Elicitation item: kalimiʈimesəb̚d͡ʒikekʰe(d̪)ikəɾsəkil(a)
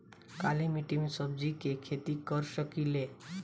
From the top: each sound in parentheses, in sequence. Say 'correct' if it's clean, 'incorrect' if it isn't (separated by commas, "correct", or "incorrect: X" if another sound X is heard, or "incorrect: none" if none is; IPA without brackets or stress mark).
incorrect: t̪, incorrect: e